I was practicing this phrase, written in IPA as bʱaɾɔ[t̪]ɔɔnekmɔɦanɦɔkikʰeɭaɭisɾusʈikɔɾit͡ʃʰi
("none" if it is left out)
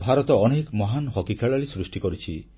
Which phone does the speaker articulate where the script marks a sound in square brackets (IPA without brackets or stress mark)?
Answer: t̪